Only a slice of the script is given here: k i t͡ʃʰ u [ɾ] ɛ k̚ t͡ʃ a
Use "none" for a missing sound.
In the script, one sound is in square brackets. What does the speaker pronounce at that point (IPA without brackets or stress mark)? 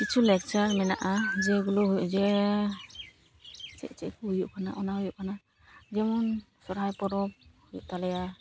l